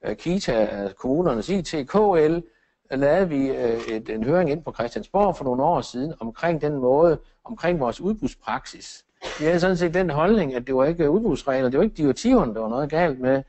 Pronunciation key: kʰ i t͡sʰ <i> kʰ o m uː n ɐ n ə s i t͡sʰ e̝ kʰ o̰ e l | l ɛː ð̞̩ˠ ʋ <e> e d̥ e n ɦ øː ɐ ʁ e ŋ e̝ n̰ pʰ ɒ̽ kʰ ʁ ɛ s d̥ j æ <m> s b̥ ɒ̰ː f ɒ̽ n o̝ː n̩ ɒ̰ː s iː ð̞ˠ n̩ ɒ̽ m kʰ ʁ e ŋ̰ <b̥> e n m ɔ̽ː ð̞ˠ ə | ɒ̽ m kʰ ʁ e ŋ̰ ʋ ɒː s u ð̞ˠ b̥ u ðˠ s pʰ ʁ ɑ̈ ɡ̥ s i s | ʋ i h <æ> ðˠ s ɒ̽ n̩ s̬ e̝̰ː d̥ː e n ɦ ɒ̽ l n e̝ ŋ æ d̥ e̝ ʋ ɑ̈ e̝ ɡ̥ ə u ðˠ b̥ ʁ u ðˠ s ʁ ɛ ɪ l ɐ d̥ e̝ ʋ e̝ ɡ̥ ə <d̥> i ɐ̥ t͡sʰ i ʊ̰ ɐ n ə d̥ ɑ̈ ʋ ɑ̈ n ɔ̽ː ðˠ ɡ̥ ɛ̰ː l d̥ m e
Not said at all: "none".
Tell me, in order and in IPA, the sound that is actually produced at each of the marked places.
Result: æ, i, n, d̥, æ, d̥

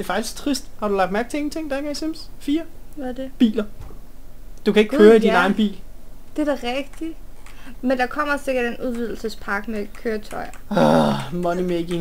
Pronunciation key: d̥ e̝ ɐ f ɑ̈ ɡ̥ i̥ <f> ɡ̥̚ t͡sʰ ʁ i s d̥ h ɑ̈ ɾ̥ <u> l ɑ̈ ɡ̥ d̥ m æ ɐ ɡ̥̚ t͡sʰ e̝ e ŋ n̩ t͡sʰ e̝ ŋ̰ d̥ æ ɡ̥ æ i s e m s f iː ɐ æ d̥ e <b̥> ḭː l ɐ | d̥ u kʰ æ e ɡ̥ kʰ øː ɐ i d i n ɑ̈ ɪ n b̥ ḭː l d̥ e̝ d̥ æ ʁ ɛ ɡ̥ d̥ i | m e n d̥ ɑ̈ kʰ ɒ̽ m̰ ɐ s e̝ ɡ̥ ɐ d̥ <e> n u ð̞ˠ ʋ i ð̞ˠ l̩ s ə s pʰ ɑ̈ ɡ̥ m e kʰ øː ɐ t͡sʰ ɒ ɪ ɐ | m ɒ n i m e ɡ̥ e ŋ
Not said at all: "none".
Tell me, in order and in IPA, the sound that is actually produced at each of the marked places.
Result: s, u, b̥, e

